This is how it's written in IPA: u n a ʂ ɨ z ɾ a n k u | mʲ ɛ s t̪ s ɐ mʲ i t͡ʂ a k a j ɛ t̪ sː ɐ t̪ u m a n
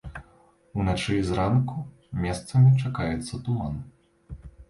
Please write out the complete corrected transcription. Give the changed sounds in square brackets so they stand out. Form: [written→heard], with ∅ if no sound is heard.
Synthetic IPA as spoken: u n a [ʂ→t͡ʂ] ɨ z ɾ a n k u | mʲ ɛ s t̪ s ɐ mʲ i t͡ʂ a k a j ɛ t̪ sː ɐ t̪ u m a n